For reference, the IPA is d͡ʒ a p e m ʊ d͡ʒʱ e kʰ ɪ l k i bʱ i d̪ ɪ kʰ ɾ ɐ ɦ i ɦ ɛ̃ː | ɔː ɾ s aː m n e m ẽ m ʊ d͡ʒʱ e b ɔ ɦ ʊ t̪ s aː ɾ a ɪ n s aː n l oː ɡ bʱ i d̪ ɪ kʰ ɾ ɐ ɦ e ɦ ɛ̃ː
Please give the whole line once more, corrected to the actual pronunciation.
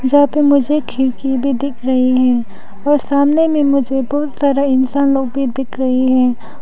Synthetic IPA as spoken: d͡ʒ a p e m ʊ d͡ʒʱ e kʰ ɪ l k i bʱ i d̪ ɪ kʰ ɾ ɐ ɦ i ɦ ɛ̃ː | ɔː ɾ s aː m n e m ẽ m ʊ d͡ʒʱ e b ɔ ɦ ʊ t̪ s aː ɾ a ɪ n s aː n l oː ɡ bʱ i d̪ ɪ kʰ ɾ ɐ ɦ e ɦ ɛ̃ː